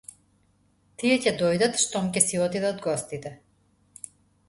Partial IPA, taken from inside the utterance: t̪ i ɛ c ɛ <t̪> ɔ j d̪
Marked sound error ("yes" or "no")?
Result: yes